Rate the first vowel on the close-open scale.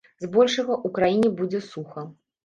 mid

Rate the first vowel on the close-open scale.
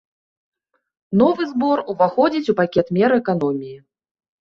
mid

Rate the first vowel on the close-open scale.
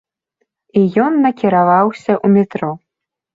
close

